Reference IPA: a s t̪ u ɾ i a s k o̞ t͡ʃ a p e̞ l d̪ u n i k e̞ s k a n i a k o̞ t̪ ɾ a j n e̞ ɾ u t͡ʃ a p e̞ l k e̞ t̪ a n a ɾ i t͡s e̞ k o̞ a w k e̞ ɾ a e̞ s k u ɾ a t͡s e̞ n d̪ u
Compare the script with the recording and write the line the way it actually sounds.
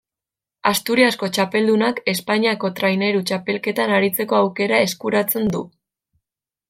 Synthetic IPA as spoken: a s t̪ u ɾ i a s k o̞ t͡ʃ a p e̞ l d̪ u n a k e̞ s p a ɲ i a k o̞ t̪ ɾ a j n e̞ ɾ u t͡ʃ a p e̞ l k e̞ t̪ a n a ɾ i t͡s e̞ k o̞ a w k e̞ ɾ a e̞ s k u ɾ a t͡s e̞ n d̪ u